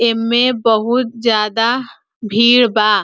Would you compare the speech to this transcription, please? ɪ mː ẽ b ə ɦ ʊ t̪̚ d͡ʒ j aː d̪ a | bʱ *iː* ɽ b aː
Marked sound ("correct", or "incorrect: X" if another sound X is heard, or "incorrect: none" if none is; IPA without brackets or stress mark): correct